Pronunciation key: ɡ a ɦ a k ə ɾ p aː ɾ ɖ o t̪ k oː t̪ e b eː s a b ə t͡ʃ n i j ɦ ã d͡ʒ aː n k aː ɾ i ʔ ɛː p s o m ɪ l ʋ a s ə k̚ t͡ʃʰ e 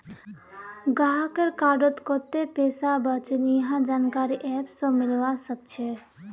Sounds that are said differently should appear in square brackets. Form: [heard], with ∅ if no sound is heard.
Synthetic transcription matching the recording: ɡ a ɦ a k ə ɾ [k] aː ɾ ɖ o t̪ k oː t̪ e [p] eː s a b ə t͡ʃ n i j ɦ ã d͡ʒ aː n k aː ɾ i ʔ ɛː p s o m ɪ l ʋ a s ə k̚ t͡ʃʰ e